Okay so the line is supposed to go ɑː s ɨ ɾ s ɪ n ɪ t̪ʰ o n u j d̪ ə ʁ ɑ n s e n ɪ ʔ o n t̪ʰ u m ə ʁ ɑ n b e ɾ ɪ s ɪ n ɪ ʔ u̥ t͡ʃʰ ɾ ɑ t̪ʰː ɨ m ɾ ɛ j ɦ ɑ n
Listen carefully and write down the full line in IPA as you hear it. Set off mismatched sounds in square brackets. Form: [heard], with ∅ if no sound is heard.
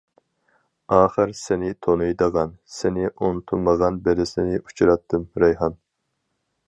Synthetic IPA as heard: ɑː [χ] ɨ ɾ s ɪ n ɪ t̪ʰ o n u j d̪ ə ʁ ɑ n s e n ɪ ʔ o n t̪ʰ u m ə ʁ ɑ n b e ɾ ɪ s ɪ n ɪ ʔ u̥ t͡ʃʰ ɾ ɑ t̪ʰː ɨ m ɾ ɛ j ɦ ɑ n